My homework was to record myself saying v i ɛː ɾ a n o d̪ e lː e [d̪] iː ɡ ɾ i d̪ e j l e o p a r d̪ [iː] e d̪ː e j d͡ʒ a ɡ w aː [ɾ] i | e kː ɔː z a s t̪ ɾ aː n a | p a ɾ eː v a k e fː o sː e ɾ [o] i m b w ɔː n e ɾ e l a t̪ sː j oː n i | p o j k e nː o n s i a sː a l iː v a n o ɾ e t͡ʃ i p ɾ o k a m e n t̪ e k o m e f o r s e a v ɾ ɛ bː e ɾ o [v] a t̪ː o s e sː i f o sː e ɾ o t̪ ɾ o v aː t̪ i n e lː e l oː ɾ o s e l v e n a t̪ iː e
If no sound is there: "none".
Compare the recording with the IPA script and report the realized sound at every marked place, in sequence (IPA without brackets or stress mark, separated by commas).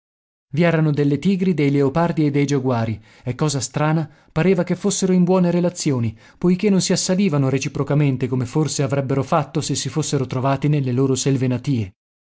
t̪, i, ɾ, o, f